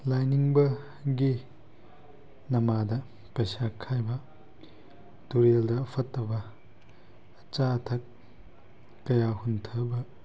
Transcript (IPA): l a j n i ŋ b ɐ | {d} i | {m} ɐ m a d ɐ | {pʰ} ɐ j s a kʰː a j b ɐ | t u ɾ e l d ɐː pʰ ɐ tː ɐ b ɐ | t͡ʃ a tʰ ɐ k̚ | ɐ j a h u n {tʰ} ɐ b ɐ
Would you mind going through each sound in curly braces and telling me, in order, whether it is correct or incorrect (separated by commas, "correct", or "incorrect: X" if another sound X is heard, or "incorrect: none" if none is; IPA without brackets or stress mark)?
incorrect: ɡ, incorrect: n, incorrect: p, correct